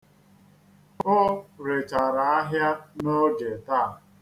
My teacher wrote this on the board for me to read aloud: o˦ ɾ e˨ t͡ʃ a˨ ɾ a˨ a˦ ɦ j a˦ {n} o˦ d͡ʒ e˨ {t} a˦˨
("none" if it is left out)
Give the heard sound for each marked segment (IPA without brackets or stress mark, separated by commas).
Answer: n, t